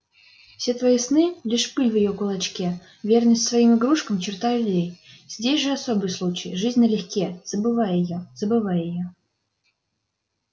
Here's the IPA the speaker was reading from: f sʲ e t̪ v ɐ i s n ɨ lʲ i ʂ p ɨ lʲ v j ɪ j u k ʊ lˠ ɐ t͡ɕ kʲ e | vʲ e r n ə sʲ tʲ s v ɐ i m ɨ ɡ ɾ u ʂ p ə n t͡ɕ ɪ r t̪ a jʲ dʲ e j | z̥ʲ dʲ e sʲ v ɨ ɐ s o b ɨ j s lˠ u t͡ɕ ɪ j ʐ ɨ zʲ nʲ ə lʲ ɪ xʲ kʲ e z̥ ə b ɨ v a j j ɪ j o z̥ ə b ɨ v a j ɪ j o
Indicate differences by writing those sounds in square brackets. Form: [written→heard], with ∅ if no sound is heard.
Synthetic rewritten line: f sʲ e t̪ v ɐ i s n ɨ lʲ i ʂ p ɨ lʲ v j ɪ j [u→o] k ʊ lˠ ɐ t͡ɕ kʲ e | vʲ e r n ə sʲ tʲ s v ɐ i m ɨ ɡ ɾ u ʂ [p→k] ə [n→m] t͡ɕ ɪ r t̪ a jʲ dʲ e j | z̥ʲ dʲ e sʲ [v→ʐ] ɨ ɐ s o b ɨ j s lˠ u t͡ɕ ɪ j ʐ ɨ zʲ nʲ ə lʲ ɪ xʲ kʲ e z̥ ə b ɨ v a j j ɪ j o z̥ ə b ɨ v a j ɪ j o